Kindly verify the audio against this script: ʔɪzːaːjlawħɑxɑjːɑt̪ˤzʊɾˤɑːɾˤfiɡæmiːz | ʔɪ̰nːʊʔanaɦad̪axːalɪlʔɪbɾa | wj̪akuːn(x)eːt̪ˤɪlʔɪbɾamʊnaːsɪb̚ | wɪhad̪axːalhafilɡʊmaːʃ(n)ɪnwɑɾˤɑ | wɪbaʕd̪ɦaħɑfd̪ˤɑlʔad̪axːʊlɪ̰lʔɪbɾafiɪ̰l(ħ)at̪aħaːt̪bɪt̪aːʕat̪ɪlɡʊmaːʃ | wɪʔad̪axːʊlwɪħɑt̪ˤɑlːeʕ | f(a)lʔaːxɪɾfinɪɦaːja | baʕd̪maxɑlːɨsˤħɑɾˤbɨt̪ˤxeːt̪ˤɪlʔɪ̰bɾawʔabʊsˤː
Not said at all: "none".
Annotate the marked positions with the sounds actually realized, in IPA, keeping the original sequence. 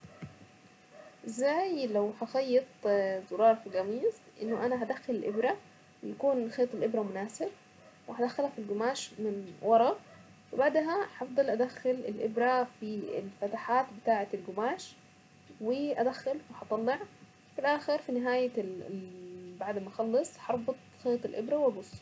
x, m, f, i

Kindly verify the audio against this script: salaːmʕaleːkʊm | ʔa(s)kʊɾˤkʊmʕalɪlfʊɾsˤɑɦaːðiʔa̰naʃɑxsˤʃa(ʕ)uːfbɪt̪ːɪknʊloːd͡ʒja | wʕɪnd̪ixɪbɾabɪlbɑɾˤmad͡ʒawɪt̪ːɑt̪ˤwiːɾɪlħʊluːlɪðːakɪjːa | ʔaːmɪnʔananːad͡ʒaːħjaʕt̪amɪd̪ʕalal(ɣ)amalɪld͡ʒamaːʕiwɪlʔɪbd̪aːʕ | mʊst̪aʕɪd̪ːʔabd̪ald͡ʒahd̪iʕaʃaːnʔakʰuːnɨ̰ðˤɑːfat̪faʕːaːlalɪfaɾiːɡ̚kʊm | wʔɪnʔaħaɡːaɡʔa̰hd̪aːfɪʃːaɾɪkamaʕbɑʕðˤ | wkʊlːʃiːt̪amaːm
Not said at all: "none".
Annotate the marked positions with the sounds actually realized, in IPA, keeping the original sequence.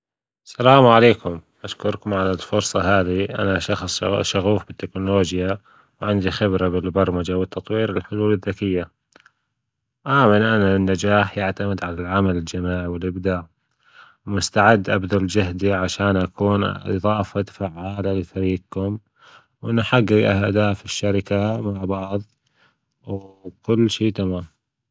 ʃ, ɣ, ʕ

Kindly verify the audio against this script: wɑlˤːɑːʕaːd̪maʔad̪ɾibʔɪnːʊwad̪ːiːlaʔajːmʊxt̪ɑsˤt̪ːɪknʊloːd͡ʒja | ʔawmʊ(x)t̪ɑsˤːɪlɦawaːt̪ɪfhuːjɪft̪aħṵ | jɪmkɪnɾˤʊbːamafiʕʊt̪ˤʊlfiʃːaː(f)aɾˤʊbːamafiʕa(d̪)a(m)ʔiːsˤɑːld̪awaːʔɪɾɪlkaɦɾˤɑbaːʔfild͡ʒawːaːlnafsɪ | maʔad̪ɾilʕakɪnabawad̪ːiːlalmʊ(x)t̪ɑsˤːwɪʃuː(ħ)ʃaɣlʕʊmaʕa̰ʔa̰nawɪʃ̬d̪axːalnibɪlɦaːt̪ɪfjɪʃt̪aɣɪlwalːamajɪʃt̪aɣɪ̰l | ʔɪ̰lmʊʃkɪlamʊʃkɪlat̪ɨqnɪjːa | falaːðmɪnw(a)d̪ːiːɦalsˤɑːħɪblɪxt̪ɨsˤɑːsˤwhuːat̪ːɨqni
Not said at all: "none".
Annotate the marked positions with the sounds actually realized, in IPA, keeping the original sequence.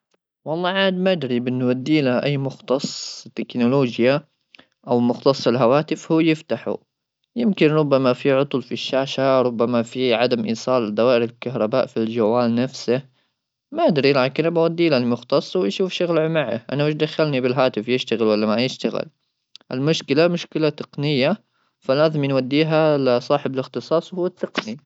x, ʃ, d̪, m, x, f, a

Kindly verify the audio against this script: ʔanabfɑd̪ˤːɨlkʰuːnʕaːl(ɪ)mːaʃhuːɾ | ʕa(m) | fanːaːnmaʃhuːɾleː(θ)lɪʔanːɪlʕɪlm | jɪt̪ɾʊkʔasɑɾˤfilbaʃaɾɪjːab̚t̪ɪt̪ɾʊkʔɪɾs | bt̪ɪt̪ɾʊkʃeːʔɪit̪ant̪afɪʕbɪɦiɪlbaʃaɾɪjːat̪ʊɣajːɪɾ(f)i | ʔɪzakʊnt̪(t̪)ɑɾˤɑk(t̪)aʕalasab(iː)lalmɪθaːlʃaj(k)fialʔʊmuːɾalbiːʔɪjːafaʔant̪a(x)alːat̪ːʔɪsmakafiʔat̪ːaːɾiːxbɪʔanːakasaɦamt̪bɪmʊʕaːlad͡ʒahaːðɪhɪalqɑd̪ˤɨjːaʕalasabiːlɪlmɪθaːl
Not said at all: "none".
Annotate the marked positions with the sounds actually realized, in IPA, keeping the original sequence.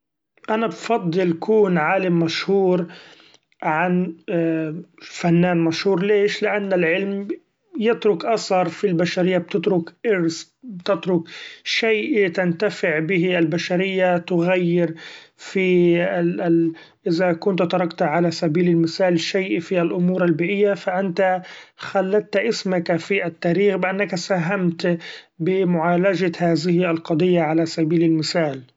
ɪ, n, ʃ, f, t̪, t̪, iː, ʔ, x

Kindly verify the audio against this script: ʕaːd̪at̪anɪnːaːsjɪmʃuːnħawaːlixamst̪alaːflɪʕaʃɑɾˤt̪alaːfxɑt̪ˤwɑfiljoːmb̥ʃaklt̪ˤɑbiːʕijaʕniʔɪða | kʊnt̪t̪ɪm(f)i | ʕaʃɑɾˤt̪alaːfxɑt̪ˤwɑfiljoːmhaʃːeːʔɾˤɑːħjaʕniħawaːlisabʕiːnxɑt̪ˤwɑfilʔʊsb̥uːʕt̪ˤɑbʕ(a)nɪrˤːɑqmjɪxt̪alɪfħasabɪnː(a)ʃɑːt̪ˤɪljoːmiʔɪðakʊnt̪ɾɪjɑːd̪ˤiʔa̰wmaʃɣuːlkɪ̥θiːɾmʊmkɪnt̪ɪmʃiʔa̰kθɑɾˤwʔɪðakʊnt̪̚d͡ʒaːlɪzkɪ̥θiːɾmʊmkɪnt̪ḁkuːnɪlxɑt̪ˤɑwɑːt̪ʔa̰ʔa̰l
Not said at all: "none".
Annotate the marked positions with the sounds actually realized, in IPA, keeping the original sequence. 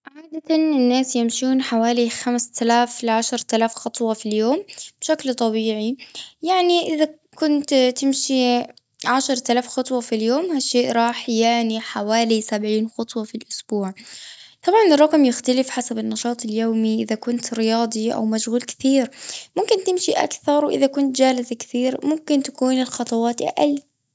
ʃ, ɑ, ɑ

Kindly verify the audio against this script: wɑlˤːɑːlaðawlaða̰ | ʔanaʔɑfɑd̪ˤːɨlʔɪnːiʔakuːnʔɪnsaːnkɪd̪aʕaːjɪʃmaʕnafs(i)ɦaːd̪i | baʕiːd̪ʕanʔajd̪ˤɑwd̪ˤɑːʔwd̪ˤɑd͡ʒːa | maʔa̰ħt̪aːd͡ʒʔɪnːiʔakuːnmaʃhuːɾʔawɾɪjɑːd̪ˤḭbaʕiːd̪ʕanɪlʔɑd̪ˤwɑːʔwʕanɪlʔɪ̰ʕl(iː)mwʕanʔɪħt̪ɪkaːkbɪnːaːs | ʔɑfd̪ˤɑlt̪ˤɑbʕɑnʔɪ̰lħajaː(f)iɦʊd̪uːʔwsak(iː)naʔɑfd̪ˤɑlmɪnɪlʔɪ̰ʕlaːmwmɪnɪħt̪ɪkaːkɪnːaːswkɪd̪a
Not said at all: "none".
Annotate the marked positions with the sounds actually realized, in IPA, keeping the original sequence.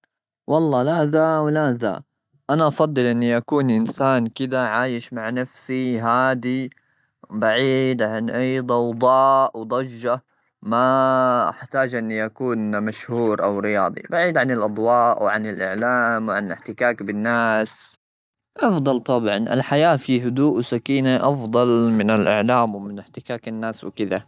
i, aː, f, iː

